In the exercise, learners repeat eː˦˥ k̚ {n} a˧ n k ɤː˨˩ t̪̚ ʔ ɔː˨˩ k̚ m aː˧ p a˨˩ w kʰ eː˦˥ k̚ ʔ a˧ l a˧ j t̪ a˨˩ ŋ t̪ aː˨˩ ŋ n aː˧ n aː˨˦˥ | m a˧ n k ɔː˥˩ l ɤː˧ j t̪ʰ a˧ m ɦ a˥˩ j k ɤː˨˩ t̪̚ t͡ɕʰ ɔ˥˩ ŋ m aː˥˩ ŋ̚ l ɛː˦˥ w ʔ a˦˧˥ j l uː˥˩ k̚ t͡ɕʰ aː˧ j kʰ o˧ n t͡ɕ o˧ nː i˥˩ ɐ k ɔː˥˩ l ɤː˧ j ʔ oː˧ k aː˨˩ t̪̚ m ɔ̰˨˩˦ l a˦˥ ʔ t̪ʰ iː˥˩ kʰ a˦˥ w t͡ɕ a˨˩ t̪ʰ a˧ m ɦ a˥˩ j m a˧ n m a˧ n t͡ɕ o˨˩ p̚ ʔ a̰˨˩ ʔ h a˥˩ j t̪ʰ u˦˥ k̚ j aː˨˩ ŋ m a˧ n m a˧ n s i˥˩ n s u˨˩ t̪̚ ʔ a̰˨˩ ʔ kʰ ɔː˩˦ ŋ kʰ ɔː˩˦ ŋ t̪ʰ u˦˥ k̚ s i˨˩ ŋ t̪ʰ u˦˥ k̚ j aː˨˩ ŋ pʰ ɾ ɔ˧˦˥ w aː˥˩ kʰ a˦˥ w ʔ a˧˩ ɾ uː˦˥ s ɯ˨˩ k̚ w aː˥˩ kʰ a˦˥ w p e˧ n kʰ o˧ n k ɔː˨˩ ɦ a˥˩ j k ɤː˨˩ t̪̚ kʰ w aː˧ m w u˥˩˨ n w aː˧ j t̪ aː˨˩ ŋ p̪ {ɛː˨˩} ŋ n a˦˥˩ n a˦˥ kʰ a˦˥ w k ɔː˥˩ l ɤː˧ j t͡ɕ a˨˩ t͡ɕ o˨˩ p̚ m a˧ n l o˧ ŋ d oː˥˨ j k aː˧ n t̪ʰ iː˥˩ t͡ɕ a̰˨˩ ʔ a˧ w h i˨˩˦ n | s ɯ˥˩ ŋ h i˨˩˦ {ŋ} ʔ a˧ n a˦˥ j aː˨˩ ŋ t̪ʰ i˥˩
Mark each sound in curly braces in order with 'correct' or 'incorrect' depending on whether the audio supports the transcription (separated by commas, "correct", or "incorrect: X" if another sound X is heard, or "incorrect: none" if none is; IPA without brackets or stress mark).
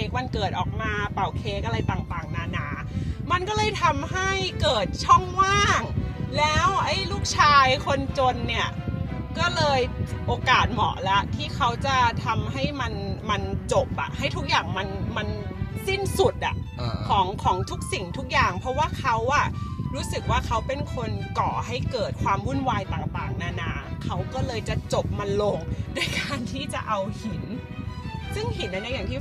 incorrect: m, incorrect: aː˨˩, incorrect: n